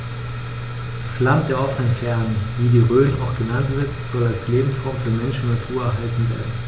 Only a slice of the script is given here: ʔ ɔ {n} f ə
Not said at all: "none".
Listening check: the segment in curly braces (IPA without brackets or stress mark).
none